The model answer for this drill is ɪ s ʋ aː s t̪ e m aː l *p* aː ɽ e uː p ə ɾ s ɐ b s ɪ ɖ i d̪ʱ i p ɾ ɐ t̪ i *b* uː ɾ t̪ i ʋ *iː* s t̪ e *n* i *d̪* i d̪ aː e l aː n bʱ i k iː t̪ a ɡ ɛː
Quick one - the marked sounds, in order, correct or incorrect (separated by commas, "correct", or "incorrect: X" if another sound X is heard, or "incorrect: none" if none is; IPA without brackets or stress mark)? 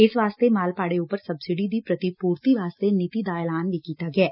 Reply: correct, incorrect: p, incorrect: aː, correct, incorrect: t̪